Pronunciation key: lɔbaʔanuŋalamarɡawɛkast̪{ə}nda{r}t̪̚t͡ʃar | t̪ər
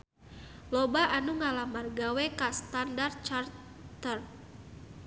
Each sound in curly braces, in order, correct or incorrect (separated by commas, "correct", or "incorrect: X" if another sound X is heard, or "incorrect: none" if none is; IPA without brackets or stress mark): incorrect: a, correct